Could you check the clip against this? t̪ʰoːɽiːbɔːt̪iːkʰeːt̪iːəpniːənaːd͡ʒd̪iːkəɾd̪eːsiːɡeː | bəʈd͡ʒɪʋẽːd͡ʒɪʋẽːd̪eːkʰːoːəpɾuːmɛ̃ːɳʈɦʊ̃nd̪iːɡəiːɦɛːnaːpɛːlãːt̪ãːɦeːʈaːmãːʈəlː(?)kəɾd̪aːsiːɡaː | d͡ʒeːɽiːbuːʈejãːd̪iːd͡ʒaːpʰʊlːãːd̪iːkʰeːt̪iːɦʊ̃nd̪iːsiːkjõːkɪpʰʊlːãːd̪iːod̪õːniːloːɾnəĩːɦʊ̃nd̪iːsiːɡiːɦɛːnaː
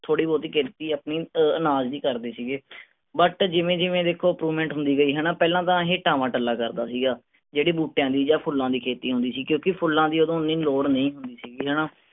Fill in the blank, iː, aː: aː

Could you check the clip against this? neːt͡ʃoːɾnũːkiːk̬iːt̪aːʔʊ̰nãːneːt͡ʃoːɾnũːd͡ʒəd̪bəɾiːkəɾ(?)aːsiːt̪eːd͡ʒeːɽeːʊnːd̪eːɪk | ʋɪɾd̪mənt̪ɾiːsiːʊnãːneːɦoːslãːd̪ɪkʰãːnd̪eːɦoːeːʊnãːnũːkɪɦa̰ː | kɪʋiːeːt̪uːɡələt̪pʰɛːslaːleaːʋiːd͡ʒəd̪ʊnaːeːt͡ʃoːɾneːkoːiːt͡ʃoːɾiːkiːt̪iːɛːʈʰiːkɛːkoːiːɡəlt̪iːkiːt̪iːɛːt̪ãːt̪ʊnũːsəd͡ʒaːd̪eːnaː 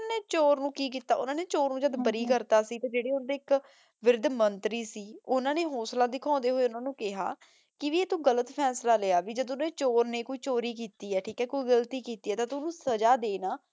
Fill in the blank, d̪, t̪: t̪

